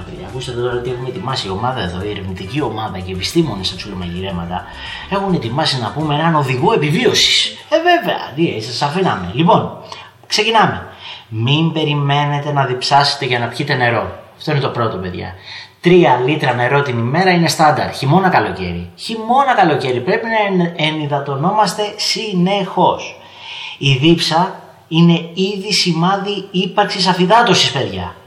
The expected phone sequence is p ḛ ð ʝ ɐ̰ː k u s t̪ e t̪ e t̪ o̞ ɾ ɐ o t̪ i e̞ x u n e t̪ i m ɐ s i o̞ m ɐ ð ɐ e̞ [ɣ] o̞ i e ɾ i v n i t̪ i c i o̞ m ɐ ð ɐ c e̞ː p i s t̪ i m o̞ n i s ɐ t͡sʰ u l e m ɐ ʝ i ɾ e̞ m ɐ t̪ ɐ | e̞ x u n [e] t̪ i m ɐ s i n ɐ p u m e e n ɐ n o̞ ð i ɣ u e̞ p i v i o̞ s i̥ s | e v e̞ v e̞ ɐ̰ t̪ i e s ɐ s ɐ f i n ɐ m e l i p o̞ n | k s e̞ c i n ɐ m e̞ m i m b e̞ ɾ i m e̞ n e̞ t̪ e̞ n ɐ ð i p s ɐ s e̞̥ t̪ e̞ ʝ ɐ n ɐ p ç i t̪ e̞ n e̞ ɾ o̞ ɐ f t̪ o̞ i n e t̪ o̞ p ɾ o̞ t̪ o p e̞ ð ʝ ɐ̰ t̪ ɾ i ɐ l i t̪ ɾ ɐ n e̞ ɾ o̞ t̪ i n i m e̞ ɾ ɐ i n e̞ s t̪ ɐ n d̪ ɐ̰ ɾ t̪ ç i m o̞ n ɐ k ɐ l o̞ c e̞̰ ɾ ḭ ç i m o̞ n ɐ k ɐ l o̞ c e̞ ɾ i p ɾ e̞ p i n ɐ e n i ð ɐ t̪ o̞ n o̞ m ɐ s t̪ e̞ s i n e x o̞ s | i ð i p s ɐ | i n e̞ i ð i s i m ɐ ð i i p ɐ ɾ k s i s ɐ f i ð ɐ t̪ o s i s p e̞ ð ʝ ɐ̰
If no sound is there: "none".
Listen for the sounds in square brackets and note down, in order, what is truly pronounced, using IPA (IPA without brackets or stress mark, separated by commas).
ð, e